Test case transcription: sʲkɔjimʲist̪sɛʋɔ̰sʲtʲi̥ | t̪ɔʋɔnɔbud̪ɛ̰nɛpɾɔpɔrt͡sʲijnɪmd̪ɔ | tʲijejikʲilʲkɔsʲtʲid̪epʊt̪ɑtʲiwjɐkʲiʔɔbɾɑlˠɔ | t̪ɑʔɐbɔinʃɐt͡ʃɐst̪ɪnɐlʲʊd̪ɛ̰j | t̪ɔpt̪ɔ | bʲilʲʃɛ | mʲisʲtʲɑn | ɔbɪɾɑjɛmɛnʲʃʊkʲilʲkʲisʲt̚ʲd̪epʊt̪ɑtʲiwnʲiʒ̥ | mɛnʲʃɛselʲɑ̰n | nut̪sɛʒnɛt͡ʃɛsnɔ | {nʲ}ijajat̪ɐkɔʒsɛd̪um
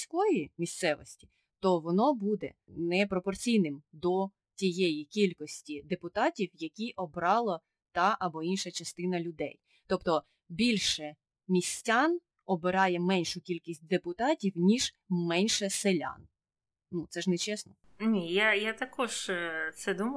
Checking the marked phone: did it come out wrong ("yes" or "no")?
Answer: no